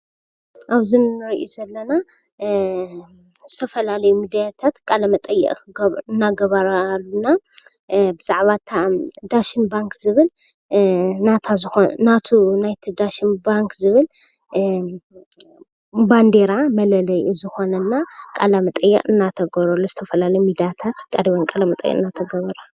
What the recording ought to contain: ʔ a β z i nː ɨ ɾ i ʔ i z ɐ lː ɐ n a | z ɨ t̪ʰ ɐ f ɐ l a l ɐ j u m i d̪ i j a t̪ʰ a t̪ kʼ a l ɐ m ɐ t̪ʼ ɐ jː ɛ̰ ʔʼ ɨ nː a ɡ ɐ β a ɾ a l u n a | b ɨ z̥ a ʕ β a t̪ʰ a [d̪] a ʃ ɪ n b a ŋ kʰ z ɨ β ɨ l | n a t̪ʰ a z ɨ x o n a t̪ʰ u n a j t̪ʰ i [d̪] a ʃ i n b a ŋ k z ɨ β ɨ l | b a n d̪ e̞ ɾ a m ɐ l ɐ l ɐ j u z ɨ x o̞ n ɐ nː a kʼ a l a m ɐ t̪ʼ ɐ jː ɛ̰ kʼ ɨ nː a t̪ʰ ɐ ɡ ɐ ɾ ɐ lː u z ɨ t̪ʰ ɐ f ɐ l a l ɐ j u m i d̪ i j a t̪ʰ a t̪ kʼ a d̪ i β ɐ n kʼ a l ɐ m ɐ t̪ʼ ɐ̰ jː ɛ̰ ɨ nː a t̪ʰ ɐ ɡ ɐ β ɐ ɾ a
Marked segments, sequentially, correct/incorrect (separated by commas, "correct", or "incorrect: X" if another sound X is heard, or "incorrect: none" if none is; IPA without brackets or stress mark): correct, correct